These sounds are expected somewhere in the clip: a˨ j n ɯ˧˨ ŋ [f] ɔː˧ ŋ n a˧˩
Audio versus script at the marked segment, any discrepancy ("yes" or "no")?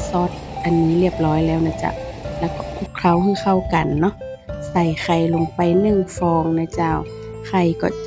no